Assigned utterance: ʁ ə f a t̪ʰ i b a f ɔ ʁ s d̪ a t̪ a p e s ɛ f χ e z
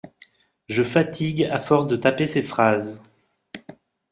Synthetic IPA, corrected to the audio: ʒ ə f a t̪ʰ i ɡ a f ɔ ʁ s d̪ ə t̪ a p e s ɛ f χ a z